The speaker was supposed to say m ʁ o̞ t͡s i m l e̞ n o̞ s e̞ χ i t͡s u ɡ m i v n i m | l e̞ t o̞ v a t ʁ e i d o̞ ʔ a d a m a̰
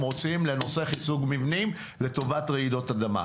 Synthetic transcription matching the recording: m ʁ o̞ t͡s i m l e̞ n o̞ s e̞ χ i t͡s u ɡ m i v n i m | l e̞ t o̞ v a t ʁ e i d o̞ t a d a m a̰